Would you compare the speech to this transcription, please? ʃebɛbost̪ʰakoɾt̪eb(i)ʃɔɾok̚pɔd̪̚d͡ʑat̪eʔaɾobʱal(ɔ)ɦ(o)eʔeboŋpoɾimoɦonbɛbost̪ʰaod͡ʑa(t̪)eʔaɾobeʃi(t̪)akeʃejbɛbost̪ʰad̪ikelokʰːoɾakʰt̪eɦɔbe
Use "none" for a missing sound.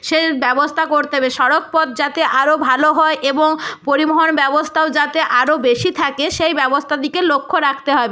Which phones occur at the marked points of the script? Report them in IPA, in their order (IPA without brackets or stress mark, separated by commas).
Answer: e, o, ɔ, t̪, t̪ʰ